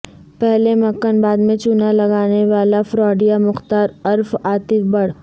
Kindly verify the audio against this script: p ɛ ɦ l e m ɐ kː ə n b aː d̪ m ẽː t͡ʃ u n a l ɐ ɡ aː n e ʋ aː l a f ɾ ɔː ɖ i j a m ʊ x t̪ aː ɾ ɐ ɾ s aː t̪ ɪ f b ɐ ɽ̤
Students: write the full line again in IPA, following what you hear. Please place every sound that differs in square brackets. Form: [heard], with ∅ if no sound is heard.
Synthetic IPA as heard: p ɛ ɦ l e m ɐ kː ə n b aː d̪ m [ẽ] t͡ʃ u n a l ɐ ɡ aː n e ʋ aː l a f ɾ ɔː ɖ i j a m ʊ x t̪ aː ɾ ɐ ɾ [f] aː t̪ ɪ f b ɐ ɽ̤